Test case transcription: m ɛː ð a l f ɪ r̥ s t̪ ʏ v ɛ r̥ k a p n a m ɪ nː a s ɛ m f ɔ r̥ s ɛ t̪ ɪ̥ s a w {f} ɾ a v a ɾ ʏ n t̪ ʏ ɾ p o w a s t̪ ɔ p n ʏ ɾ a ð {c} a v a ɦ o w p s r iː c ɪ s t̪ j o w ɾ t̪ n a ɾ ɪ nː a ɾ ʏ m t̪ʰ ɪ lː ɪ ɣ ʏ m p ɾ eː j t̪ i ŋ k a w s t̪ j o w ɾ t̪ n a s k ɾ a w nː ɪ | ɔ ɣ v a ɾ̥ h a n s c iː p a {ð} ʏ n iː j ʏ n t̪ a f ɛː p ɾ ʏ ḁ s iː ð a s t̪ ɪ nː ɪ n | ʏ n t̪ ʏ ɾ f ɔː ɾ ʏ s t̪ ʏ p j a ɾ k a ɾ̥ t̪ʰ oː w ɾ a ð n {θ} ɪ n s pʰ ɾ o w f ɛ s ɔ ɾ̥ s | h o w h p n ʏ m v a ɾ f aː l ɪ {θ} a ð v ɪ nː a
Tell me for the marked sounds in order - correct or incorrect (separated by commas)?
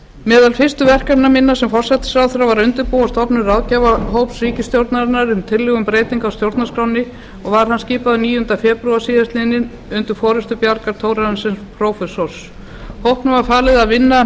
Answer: incorrect, correct, correct, incorrect, incorrect